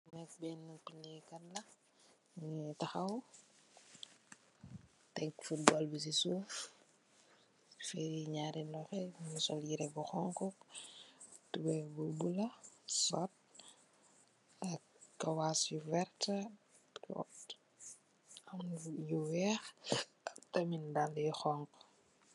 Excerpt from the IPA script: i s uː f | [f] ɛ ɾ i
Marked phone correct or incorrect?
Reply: correct